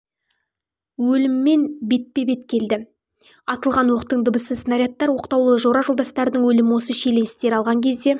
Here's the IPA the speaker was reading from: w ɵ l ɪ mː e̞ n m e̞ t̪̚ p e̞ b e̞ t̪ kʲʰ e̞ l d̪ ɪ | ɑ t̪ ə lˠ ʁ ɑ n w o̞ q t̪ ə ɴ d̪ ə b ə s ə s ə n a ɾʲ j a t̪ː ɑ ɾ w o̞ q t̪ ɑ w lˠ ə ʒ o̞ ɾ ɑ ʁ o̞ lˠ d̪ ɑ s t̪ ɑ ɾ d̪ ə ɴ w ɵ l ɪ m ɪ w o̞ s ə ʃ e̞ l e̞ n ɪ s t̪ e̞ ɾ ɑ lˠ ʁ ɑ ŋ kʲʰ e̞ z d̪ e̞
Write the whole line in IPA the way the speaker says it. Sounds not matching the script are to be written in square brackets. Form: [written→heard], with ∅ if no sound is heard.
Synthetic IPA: w ɵ l ɪ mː e̞ n [m→b] e̞ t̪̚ p e̞ b e̞ t̪ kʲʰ e̞ l d̪ ɪ | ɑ t̪ ə lˠ ʁ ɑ n w o̞ q t̪ ə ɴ d̪ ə b ə s ə s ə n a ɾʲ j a t̪ː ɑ ɾ w o̞ q t̪ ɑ w lˠ ə ʒ o̞ ɾ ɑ [ʁ→ʒ] o̞ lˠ d̪ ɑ s t̪ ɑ ɾ d̪ ə ɴ w ɵ l ɪ m ɪ w o̞ s ə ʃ e̞ l e̞ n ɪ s t̪ e̞ ɾ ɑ lˠ ʁ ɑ ŋ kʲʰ e̞ z d̪ e̞